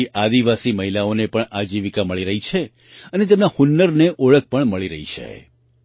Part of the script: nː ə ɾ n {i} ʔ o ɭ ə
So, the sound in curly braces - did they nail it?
no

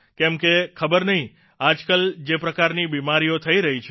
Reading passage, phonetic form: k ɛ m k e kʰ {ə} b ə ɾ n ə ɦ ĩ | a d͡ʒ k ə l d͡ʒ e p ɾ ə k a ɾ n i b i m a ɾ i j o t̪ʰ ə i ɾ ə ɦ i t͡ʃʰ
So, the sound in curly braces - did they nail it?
yes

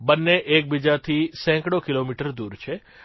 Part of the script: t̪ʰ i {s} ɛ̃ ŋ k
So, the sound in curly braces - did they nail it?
yes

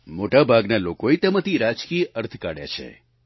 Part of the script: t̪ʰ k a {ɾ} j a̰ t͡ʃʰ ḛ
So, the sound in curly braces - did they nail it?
no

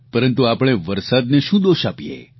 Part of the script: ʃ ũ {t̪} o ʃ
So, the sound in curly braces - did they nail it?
no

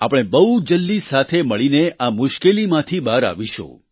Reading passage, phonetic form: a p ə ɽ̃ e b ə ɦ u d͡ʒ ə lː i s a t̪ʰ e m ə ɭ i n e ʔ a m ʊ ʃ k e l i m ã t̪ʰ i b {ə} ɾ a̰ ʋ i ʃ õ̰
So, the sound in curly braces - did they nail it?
no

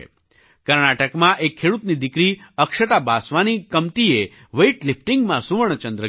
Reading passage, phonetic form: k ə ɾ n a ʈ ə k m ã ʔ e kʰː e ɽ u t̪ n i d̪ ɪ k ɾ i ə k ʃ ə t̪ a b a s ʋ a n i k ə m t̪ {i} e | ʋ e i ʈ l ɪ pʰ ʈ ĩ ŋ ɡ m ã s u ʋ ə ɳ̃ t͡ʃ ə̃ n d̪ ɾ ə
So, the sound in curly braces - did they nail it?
yes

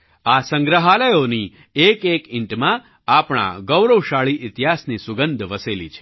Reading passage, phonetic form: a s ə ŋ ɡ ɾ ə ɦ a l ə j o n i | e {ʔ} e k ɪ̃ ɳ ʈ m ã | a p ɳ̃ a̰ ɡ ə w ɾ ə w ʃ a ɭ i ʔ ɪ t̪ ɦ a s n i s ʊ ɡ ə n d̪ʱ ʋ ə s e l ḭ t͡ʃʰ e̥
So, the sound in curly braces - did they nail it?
no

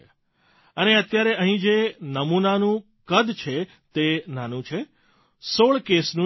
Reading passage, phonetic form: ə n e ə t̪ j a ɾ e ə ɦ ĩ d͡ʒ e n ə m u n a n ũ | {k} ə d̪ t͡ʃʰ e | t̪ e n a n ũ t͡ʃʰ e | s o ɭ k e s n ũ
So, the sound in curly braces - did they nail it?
yes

